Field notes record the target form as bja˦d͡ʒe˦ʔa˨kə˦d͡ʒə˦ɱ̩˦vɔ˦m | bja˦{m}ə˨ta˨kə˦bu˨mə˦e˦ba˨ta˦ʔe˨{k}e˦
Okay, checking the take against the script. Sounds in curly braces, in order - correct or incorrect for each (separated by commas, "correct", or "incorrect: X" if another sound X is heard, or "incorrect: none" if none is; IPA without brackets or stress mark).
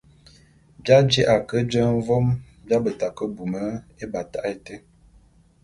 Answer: incorrect: b, incorrect: t